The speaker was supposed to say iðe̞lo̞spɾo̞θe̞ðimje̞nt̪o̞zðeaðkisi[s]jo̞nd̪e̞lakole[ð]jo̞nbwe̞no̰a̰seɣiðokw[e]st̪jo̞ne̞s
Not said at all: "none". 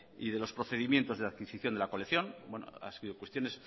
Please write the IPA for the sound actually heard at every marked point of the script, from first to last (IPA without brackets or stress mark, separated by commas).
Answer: θ, θ, e